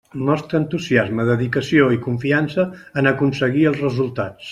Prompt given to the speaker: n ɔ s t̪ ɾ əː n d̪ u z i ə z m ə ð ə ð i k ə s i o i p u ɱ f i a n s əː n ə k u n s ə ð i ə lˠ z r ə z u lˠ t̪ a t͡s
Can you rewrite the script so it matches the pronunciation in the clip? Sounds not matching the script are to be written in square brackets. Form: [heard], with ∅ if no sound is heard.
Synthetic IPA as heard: n ɔ s t̪ ɾ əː n [t̪] u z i [a] z m ə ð ə ð i k ə s i o i [k] u ɱ f i a n s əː n ə k u n s ə [ɣ] i ə lˠ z r ə z u lˠ t̪ a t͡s